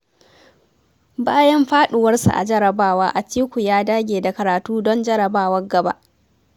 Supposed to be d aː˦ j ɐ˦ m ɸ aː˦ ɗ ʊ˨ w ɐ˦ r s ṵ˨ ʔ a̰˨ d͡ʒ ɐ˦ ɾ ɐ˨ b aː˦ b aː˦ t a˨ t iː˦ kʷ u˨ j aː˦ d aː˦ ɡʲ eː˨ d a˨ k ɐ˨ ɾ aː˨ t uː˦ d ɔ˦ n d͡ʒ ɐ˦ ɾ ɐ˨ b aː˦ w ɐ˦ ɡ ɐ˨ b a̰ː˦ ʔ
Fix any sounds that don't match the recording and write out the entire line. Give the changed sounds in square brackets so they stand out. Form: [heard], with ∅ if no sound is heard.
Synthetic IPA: [b] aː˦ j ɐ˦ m ɸ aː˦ ɗ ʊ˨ w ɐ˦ r s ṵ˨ ʔ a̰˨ d͡ʒ ɐ˦ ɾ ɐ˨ b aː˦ [w] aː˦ [ʔ] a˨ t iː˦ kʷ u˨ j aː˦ d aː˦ ɡʲ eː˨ d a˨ k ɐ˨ ɾ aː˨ t uː˦ d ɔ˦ n d͡ʒ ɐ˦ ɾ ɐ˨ b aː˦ w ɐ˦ ɡ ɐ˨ b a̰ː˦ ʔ